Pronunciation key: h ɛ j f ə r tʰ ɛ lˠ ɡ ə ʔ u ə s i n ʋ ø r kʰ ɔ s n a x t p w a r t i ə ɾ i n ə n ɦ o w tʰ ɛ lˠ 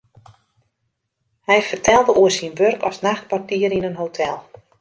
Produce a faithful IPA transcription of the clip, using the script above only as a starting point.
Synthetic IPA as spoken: h ɛ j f ə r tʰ ɛ lˠ d ə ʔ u ə s i n ʋ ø r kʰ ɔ s n a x t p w a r t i ə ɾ i n ə n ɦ o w tʰ ɛ lˠ